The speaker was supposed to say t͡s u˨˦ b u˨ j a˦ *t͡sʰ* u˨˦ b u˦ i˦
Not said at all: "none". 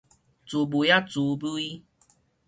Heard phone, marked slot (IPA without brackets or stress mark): t͡s